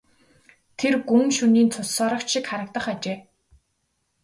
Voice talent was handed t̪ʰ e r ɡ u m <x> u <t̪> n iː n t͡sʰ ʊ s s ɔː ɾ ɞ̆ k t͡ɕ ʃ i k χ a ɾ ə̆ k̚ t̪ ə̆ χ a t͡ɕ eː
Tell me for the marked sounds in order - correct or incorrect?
incorrect, incorrect

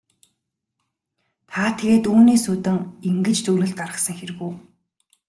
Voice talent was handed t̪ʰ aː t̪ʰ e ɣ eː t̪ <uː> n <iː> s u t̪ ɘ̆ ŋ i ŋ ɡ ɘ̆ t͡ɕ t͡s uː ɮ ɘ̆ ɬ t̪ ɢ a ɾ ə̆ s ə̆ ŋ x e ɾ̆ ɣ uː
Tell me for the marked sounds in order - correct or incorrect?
correct, correct

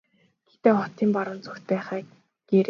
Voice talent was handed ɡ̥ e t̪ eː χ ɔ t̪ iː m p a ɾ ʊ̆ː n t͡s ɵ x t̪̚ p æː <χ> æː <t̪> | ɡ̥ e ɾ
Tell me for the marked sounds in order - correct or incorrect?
correct, incorrect

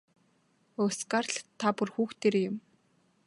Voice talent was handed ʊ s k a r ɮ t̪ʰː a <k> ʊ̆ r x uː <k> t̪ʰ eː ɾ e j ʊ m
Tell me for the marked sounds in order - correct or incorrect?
incorrect, incorrect

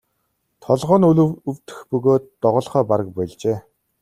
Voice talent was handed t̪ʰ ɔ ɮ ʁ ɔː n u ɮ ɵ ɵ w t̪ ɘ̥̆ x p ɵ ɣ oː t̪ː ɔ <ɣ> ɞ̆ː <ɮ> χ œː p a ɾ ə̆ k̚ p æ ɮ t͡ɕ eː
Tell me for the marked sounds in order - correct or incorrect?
incorrect, correct

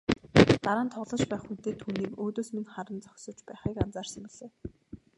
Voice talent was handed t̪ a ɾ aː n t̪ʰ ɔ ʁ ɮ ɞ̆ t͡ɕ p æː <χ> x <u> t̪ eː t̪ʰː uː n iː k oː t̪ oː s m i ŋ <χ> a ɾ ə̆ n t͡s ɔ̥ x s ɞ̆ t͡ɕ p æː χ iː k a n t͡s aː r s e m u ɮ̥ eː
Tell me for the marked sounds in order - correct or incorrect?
correct, correct, correct

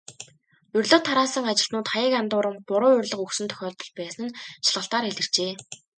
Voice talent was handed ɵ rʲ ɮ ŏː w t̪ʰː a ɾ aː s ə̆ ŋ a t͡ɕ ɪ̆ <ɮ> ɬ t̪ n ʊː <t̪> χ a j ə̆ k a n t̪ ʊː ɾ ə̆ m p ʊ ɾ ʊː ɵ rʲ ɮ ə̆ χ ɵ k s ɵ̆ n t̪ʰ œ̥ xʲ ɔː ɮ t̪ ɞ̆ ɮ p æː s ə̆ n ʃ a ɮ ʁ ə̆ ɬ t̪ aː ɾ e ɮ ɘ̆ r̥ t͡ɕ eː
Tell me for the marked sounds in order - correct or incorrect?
incorrect, correct

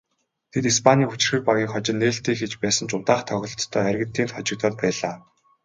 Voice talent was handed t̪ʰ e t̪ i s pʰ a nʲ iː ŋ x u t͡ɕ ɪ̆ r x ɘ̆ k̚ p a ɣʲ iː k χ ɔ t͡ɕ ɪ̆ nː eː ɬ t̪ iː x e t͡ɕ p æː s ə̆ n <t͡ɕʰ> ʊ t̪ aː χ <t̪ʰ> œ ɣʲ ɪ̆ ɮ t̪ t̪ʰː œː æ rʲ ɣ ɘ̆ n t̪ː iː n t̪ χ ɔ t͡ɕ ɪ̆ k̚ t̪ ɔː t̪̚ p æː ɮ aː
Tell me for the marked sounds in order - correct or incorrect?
incorrect, correct

